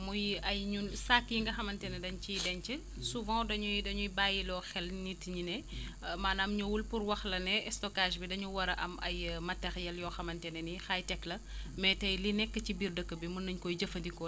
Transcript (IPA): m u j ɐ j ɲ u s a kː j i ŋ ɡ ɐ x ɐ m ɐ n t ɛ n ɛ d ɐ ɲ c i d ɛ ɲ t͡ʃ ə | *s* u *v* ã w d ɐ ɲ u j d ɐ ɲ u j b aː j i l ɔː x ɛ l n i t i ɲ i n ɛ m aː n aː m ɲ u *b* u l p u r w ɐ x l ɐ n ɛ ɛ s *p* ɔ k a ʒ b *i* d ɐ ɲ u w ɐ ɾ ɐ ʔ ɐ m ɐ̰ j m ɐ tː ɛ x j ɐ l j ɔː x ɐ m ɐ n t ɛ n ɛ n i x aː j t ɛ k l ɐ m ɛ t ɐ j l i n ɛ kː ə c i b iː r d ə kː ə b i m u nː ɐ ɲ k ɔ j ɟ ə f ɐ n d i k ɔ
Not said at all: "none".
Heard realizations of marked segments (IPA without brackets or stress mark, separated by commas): s, v, w, t, i